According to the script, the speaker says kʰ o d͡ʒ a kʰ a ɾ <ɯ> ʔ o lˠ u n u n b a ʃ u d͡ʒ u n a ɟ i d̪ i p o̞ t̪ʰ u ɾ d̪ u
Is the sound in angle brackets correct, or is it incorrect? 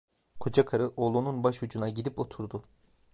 correct